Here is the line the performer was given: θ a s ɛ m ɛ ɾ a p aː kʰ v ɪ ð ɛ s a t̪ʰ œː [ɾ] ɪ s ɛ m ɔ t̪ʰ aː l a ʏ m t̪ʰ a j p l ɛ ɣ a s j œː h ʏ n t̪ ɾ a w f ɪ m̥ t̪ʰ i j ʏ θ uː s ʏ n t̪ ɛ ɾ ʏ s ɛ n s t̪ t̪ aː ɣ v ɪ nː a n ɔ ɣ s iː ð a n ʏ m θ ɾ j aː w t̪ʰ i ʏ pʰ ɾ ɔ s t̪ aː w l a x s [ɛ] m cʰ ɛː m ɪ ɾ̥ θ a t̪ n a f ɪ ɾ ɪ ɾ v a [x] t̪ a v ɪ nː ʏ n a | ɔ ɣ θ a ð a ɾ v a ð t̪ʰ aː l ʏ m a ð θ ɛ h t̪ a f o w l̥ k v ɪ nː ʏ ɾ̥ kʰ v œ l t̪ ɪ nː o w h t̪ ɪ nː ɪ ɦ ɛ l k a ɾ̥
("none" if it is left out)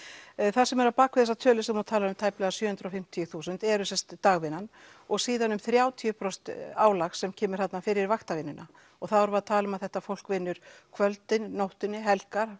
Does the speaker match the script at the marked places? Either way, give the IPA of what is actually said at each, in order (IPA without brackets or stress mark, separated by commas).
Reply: l, ɛ, x